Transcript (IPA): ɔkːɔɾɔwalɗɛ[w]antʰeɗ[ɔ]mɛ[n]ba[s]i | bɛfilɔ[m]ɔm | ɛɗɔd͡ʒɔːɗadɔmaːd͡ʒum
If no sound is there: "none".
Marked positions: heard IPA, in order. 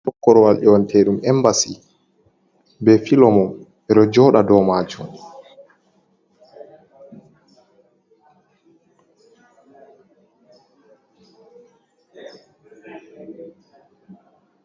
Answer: w, u, m, s, m

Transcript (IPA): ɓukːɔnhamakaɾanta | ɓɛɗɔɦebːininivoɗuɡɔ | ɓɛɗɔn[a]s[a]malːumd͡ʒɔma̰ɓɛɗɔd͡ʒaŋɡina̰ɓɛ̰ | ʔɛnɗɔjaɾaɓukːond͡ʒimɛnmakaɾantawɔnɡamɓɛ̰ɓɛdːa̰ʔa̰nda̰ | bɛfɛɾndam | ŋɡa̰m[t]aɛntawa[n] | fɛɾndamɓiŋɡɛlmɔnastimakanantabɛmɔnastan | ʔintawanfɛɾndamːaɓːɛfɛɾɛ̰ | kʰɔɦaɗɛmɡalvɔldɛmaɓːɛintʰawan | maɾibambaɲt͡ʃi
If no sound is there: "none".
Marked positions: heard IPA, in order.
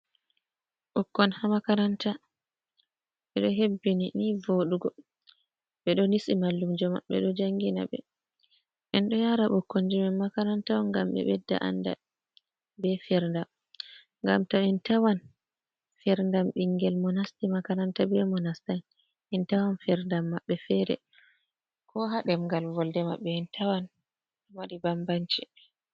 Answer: i, i, t, n

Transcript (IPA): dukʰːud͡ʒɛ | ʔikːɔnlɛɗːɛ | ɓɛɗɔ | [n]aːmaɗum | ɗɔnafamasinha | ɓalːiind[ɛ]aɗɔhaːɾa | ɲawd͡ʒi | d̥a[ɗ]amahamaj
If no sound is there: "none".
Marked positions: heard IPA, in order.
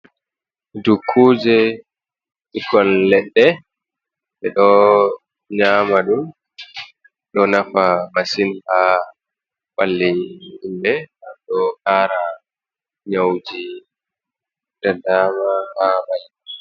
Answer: ɲ, ɛ, d

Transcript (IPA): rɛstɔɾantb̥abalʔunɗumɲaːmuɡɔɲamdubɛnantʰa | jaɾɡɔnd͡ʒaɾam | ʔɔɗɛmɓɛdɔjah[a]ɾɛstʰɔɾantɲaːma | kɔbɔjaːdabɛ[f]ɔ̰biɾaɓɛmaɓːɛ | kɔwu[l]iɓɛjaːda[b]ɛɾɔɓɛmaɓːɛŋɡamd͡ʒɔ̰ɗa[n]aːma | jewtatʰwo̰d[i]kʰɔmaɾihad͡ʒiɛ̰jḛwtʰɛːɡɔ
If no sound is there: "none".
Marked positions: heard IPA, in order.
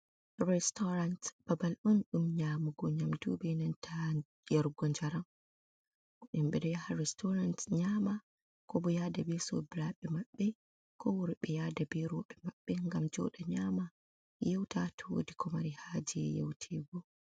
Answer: a, s, ɾ, b, ɲ, i

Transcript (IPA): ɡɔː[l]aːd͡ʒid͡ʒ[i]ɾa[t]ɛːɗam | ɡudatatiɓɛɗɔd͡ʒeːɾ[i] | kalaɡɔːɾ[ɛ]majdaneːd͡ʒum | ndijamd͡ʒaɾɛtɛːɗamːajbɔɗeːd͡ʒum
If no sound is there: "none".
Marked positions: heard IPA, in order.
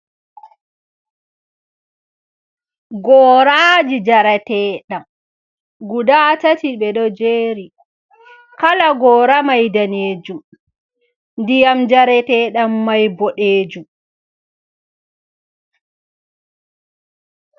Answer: ɾ, a, t, i, a

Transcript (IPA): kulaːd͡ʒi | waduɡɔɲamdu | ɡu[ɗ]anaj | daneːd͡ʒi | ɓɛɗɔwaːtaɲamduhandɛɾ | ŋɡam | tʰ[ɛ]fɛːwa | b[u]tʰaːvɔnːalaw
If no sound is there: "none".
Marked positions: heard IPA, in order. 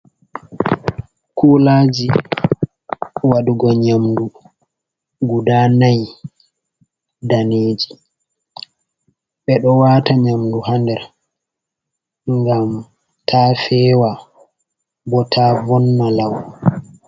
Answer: d, a, ɔ

